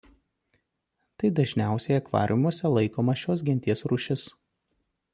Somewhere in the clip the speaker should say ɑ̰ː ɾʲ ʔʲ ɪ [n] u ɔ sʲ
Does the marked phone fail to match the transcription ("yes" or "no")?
yes